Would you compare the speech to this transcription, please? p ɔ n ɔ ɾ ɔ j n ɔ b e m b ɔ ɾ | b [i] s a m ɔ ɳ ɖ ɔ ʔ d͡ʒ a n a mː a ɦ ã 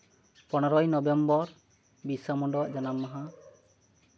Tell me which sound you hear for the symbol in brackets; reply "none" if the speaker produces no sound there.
i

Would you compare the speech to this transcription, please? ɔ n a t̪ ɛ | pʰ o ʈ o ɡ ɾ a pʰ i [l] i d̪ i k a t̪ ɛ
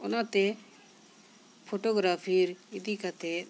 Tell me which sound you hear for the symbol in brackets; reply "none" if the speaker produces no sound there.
ɾ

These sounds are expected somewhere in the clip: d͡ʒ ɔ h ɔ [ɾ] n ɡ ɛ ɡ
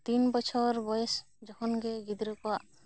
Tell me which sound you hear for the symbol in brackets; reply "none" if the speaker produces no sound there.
none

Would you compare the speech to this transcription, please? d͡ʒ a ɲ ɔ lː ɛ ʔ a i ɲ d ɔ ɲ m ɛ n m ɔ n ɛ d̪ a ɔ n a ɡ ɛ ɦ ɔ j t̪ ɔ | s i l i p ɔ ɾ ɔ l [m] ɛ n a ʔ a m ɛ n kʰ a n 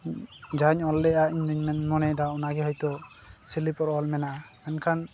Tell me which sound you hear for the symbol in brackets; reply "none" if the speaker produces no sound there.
m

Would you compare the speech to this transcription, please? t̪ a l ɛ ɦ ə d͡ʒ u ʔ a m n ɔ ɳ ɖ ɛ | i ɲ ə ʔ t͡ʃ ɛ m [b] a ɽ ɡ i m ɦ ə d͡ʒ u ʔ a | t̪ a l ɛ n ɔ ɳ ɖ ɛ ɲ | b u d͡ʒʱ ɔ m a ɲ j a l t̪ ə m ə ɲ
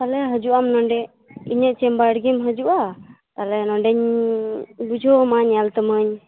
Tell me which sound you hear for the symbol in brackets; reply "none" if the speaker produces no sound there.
b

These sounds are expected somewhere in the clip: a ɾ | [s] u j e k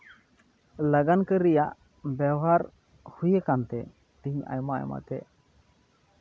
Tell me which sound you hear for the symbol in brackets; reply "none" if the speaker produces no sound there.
h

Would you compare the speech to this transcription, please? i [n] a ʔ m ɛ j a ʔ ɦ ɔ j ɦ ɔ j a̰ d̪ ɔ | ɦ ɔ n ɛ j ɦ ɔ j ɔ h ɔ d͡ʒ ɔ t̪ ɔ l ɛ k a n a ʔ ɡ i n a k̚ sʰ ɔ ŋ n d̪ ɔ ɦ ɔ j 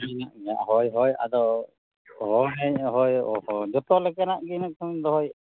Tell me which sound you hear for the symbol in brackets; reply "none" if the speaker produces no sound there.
n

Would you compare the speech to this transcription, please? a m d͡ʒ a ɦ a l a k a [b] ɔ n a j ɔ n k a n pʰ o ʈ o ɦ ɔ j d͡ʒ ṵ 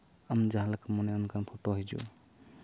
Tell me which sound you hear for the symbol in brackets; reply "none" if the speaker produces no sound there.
m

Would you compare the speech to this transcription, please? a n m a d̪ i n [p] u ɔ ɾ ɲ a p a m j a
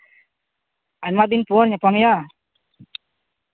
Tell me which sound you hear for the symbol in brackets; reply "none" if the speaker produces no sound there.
p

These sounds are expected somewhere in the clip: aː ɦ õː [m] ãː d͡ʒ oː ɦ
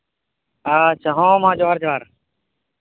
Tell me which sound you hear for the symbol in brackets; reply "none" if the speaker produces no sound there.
m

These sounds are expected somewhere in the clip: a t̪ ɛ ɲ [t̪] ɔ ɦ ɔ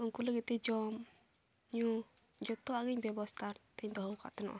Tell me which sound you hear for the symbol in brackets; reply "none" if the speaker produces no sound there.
d̪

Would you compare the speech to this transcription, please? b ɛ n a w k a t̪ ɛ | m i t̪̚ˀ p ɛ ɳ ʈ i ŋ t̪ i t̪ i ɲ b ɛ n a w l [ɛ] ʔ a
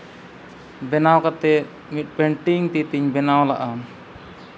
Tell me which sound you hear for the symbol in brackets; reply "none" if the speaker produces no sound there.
a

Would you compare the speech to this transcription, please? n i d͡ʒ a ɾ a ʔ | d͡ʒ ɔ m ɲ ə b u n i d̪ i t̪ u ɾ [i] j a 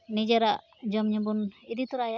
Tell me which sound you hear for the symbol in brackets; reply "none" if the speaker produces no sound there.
a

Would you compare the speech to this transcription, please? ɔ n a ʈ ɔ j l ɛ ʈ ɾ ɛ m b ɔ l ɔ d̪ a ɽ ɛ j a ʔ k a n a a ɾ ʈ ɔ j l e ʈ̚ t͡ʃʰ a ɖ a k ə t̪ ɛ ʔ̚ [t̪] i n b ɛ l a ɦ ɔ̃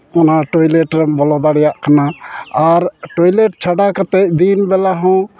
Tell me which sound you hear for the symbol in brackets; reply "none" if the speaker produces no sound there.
d̪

